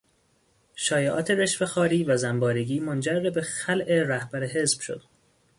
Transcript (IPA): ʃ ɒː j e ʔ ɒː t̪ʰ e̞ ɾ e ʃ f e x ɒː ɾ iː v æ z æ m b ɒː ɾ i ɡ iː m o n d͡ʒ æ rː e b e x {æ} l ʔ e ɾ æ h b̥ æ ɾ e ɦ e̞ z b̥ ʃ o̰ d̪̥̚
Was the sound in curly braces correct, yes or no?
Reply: yes